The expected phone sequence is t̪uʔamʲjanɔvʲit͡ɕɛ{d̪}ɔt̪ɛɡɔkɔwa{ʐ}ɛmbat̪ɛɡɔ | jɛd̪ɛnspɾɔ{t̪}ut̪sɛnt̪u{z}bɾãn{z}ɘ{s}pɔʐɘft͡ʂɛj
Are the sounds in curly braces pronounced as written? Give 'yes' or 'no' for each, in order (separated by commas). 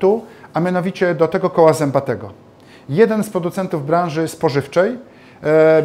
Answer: yes, no, no, no, no, yes